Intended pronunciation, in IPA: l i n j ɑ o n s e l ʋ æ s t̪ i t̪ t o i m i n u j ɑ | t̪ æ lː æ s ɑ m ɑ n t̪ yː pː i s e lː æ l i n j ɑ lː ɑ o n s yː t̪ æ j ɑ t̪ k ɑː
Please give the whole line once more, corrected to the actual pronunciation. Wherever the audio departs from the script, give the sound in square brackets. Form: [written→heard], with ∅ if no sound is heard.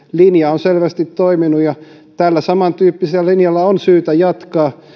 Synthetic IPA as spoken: l i n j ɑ o n s e l ʋ æ s t̪ i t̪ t o i m i n u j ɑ | t̪ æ lː æ s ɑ m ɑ n t̪ yː pː i s e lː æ l i n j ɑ lː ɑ o n s yː t̪ æ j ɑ t̪ k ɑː